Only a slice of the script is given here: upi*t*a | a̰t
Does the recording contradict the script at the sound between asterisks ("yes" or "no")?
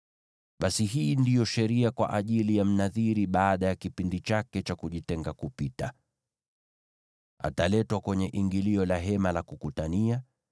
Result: no